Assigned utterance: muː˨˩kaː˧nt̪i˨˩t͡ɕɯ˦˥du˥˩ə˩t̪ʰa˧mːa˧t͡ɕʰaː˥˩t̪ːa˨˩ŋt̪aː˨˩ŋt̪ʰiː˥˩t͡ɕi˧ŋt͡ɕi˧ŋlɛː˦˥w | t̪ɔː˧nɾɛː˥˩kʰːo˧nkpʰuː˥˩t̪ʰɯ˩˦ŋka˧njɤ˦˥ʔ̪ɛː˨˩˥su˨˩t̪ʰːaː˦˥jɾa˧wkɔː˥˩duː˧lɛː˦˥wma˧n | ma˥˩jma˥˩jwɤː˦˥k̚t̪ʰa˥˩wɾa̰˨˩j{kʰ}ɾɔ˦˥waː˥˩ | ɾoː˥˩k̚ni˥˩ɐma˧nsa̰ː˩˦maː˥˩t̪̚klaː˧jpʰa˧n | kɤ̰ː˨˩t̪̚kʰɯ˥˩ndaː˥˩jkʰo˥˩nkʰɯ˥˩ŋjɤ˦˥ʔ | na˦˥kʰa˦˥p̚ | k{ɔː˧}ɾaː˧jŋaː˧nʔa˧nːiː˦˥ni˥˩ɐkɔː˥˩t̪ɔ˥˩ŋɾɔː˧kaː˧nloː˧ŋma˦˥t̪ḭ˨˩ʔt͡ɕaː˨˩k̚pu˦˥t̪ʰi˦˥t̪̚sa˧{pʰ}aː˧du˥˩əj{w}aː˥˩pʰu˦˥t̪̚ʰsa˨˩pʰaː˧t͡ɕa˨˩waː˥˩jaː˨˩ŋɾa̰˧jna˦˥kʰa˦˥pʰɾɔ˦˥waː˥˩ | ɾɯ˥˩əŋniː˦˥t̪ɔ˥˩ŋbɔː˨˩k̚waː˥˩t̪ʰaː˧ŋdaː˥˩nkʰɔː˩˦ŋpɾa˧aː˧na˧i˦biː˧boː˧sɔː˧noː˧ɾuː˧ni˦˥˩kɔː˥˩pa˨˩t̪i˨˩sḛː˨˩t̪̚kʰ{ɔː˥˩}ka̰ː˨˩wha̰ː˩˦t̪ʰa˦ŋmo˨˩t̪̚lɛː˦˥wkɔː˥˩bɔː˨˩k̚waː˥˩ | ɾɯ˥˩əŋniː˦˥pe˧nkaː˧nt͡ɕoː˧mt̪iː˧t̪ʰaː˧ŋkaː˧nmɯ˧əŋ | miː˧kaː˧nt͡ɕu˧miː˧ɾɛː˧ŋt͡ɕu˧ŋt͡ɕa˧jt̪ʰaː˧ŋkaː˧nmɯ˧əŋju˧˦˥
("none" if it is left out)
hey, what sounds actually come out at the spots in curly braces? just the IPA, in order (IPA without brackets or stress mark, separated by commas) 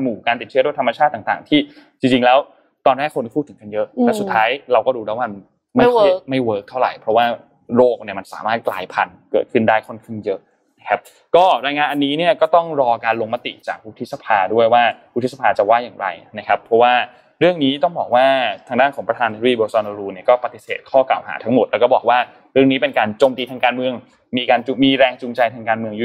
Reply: pʰ, ɔː˥˩, pʰ, w, ɔː˥˩